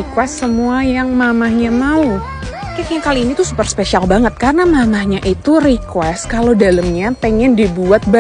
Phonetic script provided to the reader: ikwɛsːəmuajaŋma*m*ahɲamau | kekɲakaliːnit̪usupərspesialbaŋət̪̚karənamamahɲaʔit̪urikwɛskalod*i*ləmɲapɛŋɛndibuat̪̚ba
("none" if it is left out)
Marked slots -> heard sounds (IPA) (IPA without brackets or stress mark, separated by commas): m, a